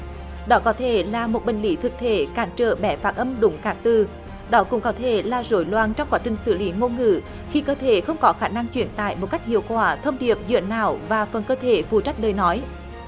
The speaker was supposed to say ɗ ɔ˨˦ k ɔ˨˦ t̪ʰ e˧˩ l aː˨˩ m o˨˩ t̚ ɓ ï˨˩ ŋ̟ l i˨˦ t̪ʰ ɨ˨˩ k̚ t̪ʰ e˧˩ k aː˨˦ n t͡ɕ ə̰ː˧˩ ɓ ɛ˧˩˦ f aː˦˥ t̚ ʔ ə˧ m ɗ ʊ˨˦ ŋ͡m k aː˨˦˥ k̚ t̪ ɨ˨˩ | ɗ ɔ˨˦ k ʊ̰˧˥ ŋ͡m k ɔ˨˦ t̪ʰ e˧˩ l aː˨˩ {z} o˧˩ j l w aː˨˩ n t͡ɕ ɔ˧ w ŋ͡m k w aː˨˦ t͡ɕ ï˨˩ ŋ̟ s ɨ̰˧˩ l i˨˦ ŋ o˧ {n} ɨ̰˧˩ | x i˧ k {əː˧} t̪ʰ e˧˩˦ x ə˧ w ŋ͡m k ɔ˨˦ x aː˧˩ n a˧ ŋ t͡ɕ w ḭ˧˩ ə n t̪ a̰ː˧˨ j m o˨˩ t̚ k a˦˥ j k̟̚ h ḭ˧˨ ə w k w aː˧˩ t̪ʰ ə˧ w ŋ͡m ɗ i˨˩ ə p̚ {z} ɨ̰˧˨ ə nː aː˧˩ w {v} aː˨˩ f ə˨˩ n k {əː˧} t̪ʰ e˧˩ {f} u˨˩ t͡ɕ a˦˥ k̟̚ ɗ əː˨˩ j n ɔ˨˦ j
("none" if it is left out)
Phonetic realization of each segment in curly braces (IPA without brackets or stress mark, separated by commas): z, ŋ, əː˧, z, v, əː˧, f